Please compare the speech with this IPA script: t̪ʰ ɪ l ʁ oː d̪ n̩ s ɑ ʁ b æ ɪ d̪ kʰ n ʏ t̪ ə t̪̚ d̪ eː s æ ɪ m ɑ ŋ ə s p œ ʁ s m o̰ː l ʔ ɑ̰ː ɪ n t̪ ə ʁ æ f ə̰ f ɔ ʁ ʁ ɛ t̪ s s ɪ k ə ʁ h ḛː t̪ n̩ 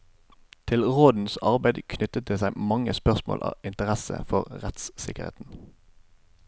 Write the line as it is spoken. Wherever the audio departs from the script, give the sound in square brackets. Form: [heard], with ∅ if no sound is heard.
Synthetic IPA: t̪ʰ ɪ l ʁ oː d̪ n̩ s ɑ ʁ b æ ɪ d̪ kʰ n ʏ t̪ ə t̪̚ d̪ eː s æ ɪ m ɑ ŋ ə s p œ ʁ s m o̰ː l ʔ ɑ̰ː ɪ n t̪ ə ʁ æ [s] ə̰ f ɔ ʁ ʁ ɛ t̪ s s ɪ k ə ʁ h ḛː t̪ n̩